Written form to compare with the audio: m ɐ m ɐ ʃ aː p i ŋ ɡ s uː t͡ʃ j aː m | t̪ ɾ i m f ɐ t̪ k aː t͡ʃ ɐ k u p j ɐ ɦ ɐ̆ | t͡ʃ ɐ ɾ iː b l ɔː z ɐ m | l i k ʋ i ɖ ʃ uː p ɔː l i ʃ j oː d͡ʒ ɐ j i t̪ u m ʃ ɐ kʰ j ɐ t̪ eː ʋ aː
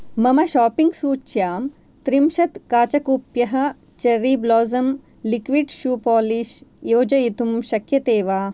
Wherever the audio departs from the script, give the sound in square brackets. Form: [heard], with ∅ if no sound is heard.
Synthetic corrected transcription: m ɐ m ɐ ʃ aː p i ŋ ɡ s uː t͡ʃ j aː m | t̪ ɾ i m [ʃ] ɐ t̪ k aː t͡ʃ ɐ k u p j ɐ ɦ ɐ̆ | t͡ʃ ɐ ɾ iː b l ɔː z ɐ m | l i k ʋ i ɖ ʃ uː p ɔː l i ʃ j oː d͡ʒ ɐ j i t̪ u m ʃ ɐ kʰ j ɐ t̪ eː ʋ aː